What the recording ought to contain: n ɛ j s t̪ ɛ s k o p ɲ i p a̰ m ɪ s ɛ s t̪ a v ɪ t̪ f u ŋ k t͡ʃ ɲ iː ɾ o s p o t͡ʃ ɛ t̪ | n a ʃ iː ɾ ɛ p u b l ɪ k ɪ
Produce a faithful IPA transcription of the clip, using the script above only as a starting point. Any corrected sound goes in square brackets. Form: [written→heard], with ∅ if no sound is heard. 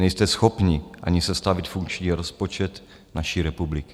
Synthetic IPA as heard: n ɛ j s t̪ ɛ s [k→x] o p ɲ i [p→ʔ] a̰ [m→ɲ] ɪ s ɛ s t̪ a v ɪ t̪ f u ŋ k t͡ʃ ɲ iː ɾ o s p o t͡ʃ ɛ t̪ | n a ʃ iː ɾ ɛ p u b l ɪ k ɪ